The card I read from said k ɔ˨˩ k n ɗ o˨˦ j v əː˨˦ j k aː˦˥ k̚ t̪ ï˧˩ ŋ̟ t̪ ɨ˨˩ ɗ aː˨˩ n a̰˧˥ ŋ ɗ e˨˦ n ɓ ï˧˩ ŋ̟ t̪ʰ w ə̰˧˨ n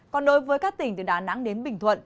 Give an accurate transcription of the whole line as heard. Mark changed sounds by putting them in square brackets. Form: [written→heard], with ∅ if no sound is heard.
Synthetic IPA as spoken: k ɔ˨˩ [k→∅] n ɗ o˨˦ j v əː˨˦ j k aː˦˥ k̚ t̪ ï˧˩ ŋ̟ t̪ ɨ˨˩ ɗ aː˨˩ n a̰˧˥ ŋ ɗ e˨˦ n ɓ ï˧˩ ŋ̟ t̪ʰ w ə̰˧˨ n